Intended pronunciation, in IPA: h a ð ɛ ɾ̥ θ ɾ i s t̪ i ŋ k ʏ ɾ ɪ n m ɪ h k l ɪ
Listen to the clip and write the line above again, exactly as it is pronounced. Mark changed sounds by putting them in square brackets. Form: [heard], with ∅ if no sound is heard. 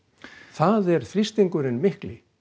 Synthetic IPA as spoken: [θ] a ð ɛ ɾ̥ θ ɾ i s t̪ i ŋ k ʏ ɾ ɪ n m ɪ h k l ɪ